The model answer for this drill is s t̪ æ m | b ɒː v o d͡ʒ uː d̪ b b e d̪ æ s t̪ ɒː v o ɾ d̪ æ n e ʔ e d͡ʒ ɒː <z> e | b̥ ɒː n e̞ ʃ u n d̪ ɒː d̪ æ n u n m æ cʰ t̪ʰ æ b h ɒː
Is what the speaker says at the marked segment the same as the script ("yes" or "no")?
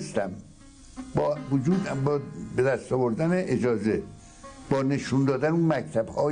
yes